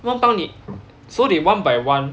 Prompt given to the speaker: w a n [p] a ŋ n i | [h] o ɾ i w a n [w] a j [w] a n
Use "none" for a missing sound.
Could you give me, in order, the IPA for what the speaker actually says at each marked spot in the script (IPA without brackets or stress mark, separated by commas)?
p, s, b, w